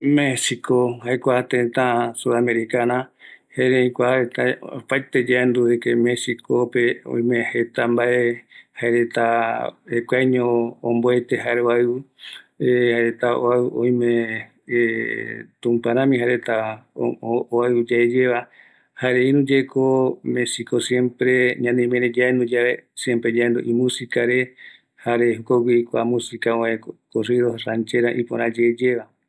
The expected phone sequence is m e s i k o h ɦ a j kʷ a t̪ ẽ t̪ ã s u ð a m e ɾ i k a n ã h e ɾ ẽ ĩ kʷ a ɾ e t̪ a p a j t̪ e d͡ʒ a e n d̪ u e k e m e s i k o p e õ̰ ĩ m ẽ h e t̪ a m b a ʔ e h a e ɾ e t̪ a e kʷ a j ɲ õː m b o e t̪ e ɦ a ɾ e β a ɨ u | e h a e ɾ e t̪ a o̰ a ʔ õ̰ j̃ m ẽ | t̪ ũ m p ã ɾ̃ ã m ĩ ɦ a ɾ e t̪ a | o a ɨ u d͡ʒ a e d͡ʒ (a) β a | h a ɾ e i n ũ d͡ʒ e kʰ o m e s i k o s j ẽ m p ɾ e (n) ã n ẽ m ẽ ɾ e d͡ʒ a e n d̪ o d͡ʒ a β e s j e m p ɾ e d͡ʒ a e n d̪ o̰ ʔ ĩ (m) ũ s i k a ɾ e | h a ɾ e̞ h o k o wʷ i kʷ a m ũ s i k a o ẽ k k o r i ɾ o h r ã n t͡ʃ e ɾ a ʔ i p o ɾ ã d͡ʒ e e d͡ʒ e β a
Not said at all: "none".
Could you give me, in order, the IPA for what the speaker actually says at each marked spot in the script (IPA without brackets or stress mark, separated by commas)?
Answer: e, ɲ, m